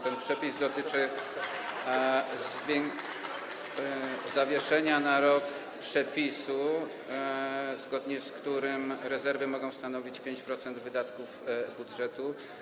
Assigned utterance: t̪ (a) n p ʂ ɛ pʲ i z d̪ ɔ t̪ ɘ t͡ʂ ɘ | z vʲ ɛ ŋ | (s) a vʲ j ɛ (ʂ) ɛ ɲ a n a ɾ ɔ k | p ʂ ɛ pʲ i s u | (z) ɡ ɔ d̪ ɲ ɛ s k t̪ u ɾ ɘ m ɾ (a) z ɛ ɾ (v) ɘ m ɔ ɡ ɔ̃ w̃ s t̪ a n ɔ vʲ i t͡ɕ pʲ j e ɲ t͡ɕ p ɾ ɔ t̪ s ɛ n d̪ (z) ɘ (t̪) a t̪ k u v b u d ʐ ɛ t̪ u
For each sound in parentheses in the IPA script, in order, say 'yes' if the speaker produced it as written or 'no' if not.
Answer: no, no, yes, yes, no, yes, no, no

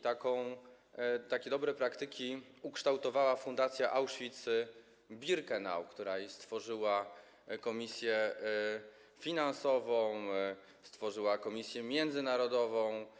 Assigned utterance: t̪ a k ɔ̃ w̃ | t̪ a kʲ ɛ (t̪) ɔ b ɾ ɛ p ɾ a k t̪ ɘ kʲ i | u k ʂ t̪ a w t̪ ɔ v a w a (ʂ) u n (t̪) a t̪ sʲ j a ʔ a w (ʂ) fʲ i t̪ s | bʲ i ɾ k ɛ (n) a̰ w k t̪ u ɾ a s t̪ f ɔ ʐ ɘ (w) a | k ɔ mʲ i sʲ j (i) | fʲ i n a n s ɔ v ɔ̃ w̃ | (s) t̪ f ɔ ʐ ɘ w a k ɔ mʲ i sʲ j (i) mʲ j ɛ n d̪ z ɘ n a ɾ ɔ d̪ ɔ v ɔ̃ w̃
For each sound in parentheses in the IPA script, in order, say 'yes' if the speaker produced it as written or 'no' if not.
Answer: no, no, no, yes, yes, yes, no, yes, no

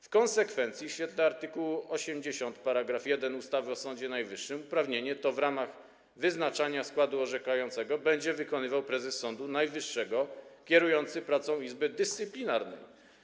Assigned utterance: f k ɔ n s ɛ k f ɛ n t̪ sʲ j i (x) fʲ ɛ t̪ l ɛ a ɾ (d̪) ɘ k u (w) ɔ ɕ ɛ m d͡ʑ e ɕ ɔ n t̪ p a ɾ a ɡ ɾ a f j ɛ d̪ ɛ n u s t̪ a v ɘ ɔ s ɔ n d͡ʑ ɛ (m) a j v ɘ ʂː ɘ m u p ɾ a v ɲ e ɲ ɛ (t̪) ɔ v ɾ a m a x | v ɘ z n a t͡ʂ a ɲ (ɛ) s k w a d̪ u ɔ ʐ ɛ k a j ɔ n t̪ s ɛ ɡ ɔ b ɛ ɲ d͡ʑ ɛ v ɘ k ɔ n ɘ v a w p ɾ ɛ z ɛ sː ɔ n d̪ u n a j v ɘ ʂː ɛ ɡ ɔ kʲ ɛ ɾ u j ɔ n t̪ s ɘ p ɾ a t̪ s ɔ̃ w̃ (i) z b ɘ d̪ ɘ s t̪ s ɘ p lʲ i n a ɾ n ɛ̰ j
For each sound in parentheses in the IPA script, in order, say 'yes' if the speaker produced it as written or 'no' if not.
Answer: no, no, yes, no, yes, no, yes

